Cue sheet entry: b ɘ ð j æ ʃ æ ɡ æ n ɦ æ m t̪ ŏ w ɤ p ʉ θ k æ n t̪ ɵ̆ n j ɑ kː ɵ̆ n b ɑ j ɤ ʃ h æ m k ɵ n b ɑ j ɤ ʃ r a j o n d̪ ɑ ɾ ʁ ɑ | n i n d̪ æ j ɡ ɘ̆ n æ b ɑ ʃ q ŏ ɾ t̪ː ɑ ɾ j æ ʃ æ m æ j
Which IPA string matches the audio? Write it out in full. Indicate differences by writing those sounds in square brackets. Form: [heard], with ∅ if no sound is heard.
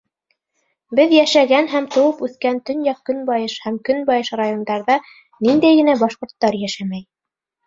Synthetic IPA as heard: b ɘ ð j æ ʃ æ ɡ æ n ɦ æ m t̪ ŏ w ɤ p ʉ θ k æ n t̪ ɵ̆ n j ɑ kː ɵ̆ n b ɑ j ɤ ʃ h æ m k ɵ n b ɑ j ɤ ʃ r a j o n d̪ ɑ ɾ [ð] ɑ | n i n d̪ æ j ɡ ɘ̆ n æ b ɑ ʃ q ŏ ɾ t̪ː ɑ ɾ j æ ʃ æ m æ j